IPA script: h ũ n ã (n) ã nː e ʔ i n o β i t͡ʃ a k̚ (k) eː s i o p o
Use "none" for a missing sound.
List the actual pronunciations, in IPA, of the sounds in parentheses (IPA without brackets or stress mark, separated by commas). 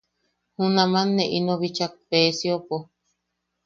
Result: m, p